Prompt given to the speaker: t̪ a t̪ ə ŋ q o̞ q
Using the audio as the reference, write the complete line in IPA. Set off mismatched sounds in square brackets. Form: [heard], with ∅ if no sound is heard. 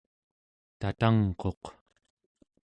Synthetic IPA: t̪ a t̪ [a] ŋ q o̞ q